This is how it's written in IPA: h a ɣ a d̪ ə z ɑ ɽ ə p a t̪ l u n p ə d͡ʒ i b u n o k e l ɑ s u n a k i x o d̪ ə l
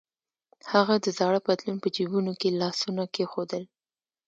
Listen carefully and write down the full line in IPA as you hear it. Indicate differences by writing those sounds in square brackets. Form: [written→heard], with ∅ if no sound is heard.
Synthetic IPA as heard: h a ɣ a d̪ ə z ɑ ɽ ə p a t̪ l u n p ə d͡ʒ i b u n o k e l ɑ s u n a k [i→e] x o d̪ ə l